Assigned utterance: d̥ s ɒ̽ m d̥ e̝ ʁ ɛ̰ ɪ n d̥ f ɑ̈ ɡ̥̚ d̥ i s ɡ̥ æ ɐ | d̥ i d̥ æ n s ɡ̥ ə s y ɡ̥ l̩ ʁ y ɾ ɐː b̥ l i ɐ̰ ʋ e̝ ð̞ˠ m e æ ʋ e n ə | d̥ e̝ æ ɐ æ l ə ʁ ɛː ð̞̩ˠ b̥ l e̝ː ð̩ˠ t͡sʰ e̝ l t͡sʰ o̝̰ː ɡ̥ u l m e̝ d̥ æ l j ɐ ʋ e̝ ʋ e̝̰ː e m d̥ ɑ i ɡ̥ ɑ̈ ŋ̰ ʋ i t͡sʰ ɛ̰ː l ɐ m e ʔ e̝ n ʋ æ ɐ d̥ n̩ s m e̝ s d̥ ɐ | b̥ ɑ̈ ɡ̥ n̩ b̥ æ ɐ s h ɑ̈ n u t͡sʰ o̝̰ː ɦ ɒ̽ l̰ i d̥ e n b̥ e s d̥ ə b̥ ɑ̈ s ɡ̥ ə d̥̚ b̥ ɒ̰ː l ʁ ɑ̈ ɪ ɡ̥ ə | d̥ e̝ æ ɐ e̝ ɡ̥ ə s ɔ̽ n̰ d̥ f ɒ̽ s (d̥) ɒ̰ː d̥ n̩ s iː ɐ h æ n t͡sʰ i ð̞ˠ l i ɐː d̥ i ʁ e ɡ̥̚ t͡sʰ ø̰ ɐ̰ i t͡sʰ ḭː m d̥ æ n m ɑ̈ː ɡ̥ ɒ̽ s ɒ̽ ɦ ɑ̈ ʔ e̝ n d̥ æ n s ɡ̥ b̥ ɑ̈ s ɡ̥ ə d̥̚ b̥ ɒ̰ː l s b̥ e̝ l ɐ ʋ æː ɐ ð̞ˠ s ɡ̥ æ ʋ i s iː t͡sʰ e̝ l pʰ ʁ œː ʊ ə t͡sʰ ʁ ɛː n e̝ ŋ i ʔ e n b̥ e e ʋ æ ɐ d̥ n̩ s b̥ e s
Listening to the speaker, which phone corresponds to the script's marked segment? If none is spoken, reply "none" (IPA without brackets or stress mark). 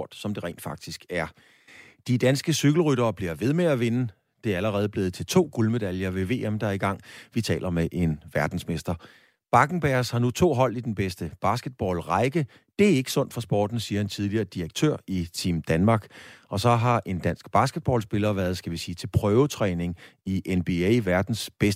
b̥